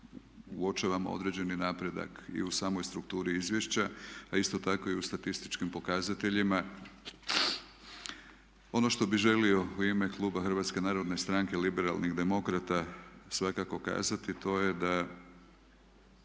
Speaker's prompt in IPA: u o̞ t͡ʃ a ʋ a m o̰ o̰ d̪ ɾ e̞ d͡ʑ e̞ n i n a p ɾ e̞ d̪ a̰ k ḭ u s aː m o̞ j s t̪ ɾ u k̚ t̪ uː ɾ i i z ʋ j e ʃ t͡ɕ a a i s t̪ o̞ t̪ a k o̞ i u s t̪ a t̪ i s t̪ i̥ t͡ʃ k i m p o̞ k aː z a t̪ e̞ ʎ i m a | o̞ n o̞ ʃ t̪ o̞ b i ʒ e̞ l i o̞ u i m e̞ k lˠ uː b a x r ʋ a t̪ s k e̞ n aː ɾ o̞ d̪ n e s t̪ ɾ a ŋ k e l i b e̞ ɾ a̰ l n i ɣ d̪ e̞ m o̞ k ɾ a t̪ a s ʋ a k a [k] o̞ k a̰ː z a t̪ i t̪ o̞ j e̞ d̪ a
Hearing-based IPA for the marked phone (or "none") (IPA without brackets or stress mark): k